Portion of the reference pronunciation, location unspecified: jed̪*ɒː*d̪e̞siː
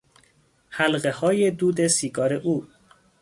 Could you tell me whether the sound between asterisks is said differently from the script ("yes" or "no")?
yes